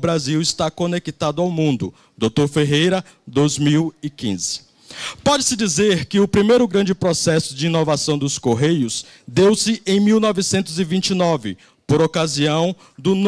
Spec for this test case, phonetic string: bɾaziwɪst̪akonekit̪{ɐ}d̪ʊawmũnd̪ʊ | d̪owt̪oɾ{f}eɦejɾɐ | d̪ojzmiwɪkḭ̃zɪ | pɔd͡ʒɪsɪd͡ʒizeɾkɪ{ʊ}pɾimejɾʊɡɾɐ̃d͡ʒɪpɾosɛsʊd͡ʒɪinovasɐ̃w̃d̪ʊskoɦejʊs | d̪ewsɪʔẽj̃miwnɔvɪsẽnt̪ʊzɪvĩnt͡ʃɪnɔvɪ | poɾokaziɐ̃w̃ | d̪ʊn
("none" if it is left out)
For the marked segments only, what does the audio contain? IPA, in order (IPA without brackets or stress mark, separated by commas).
a, f, ʊ